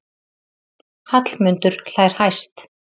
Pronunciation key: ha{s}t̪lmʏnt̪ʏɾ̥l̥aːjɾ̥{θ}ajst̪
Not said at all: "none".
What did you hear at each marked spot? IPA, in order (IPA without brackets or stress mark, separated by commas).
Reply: none, h